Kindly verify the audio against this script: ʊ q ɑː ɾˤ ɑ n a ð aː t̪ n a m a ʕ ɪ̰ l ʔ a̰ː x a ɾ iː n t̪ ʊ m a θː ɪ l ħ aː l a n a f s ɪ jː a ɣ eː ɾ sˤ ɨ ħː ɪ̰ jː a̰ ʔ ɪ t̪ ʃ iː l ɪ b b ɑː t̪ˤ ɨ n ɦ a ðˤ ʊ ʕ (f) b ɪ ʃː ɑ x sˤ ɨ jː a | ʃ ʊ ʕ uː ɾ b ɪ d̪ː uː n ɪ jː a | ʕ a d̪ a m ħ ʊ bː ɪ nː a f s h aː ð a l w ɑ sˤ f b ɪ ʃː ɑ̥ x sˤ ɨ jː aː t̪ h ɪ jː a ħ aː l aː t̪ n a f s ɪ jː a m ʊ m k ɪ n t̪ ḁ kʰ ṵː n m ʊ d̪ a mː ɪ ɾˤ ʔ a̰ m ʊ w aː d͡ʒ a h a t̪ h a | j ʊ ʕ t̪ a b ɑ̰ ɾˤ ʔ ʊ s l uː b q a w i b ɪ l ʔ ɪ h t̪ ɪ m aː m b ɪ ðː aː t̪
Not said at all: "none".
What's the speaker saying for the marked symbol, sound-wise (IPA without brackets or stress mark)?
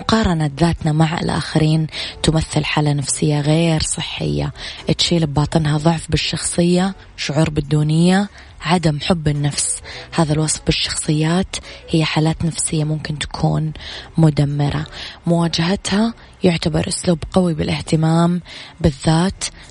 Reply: f